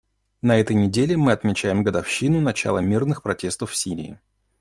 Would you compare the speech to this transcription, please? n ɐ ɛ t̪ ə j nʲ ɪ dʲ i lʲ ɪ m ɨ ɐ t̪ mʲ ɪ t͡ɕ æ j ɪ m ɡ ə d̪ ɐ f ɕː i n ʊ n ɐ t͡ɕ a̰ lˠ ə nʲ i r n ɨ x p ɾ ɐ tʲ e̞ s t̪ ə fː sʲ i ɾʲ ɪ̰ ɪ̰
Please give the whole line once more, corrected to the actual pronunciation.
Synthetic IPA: n ɐ ɛ t̪ ə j nʲ ɪ dʲ e lʲ ɪ m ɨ ɐ t̪ mʲ ɪ t͡ɕ æ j ɪ m ɡ ə d̪ ɐ f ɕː i n ʊ n ɐ t͡ɕ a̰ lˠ ə mʲ i r n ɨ x p ɾ ɐ tʲ e̞ s t̪ ə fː sʲ i ɾʲ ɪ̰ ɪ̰